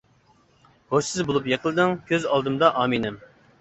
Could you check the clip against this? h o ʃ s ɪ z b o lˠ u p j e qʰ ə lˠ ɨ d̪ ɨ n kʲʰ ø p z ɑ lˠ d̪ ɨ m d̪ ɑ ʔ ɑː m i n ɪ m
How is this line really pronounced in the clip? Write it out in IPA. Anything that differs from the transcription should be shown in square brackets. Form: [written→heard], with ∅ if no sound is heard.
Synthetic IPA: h o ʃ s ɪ z b o lˠ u p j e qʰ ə lˠ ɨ d̪ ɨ [n→ŋ] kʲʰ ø [p→∅] z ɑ lˠ d̪ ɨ m d̪ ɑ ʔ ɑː m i n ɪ m